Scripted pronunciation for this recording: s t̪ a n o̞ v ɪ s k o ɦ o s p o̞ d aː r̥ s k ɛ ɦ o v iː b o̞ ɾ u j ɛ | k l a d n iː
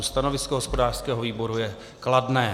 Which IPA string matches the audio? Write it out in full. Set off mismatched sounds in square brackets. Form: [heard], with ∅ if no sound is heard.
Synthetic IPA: s t̪ a n o̞ v ɪ s k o ɦ o s p o̞ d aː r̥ s k [ɛː] ɦ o v iː b o̞ ɾ u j ɛ | k l a d n [ɛː]

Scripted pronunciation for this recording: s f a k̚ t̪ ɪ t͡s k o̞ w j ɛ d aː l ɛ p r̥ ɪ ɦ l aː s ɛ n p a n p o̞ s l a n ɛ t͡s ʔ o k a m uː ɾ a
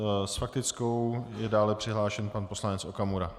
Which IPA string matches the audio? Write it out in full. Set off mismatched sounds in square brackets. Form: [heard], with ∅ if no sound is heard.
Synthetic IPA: s f a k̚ t̪ ɪ t͡s k o̞ w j ɛ d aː l ɛ p r̥ ɪ ɦ l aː [ʃ] ɛ n p a n p o̞ s l a n ɛ t͡s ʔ o k a m [u] ɾ a

